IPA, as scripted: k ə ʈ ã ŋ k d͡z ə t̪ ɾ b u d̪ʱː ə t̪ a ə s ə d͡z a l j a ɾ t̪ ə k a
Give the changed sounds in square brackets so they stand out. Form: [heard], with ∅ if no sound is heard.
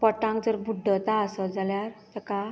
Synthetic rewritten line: [p] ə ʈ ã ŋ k d͡z ə [∅] ɾ b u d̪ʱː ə t̪ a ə s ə d͡z a l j a ɾ t̪ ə k a